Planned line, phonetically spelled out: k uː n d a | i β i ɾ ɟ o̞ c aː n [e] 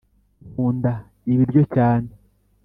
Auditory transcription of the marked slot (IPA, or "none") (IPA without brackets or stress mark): e